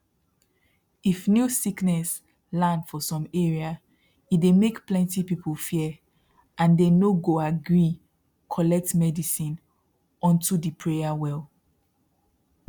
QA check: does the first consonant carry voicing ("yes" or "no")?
no